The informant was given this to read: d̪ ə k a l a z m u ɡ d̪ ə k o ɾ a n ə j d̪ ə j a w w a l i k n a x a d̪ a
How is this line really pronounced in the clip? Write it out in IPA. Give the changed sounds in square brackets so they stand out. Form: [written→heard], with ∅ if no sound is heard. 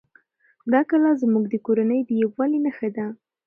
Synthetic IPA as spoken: d̪ [ə→ɑ] k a l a z m u ɡ d̪ ə k o ɾ a n ə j d̪ ə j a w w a l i [k→∅] n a x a d̪ a

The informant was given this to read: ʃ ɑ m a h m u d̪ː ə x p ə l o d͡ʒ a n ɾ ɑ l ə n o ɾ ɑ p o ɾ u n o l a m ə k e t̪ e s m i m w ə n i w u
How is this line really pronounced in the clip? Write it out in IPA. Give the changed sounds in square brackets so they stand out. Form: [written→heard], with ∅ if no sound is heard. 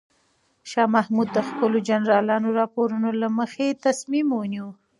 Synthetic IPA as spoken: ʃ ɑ m a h m u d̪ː ə x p ə l o d͡ʒ a n ɾ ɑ l [ə→ɑ] n o ɾ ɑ p o ɾ u n o l a m ə [k→x] e t̪ [e→a] s m i m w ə n i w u

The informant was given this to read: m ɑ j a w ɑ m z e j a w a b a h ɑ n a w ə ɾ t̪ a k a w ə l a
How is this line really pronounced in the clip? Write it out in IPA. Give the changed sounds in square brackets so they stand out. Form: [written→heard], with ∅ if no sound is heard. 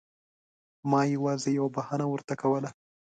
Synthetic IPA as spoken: m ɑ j a w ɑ [m→∅] z e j a w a b a h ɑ n a w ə ɾ t̪ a k a w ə l a

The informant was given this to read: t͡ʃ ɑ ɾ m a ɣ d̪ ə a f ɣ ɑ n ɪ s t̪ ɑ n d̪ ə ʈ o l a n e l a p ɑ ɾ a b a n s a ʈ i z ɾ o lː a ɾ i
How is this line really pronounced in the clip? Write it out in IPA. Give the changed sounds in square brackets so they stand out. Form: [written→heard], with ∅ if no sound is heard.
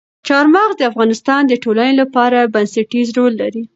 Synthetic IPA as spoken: t͡ʃ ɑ ɾ m [a→ɑ] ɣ d̪ ə a f ɣ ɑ n ɪ s t̪ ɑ n d̪ ə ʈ o l a n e l a p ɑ ɾ a b a n s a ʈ i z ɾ o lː a ɾ i

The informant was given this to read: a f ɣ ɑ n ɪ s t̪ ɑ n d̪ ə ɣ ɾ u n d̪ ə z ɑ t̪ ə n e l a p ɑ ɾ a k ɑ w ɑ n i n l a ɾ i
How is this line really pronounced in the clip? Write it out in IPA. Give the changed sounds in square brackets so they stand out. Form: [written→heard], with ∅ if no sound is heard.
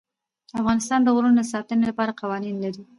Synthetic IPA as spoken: a f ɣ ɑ n ɪ s t̪ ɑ n d̪ ə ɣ ɾ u n d̪ ə [z→s] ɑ t̪ ə n e l a p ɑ ɾ a [k→q] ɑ w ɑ n i n l a ɾ i

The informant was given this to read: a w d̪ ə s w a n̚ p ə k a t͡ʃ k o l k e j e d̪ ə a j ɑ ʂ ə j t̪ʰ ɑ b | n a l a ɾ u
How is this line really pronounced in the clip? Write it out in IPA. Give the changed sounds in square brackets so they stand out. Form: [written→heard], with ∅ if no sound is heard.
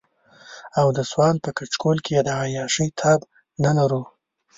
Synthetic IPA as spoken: a w d̪ ə s w [a→ɑ] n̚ p ə k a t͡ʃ k o l k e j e d̪ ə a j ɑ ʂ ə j t̪ʰ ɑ b | n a l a ɾ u

